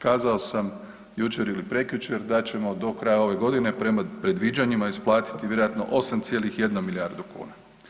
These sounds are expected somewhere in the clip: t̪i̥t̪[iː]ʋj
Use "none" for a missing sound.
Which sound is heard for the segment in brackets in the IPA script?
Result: i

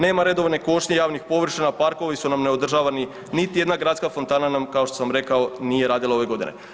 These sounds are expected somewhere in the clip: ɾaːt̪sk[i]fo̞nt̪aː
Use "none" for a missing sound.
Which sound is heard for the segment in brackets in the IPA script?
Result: a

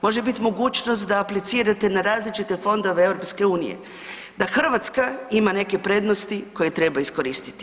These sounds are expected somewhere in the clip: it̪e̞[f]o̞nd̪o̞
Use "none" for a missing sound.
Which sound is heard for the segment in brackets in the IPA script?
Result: f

